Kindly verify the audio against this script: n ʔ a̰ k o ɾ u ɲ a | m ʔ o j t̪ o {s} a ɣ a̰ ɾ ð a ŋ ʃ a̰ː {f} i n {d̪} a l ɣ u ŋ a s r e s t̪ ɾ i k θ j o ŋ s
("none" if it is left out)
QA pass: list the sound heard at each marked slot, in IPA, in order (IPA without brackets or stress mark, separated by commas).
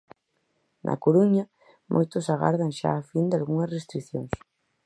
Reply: s, f, d̪